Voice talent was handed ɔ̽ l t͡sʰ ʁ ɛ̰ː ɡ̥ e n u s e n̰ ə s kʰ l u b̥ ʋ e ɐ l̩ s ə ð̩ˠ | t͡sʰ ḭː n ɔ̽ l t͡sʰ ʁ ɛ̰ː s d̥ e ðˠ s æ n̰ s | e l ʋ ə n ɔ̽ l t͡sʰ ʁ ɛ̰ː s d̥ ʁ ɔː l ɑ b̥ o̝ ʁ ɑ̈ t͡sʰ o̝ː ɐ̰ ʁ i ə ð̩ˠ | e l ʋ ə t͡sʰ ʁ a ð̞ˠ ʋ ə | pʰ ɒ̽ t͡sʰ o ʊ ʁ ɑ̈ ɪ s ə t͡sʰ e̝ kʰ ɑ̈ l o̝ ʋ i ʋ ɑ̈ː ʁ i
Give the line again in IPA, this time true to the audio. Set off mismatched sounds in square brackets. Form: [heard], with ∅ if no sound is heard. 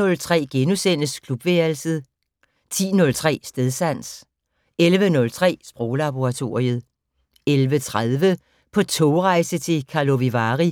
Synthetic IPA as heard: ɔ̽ l t͡sʰ ʁ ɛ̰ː ɡ̥ e n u s e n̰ ə s kʰ l u b̥ ʋ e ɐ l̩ s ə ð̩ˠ | t͡sʰ ḭː n ɔ̽ l t͡sʰ ʁ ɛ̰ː s d̥ e ðˠ s æ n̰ s | e l ʋ ə n ɔ̽ l t͡sʰ ʁ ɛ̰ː s [b̥] ʁ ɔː l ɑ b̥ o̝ ʁ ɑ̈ t͡sʰ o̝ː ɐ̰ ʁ i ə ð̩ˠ | e l ʋ ə t͡sʰ ʁ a ð̞ˠ ʋ ə | pʰ ɒ̽ t͡sʰ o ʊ ʁ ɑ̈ ɪ s ə t͡sʰ e̝ kʰ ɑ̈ l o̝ ʋ i ʋ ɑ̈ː ʁ i